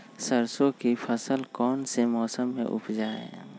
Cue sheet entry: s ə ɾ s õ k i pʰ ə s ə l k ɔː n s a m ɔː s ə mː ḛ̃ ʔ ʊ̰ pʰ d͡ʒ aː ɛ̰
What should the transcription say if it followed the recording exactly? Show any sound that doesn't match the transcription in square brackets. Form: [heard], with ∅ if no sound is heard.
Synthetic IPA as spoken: s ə ɾ s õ k i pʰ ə s ə l k ɔː n s [e] m ɔː s ə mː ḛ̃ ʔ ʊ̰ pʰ d͡ʒ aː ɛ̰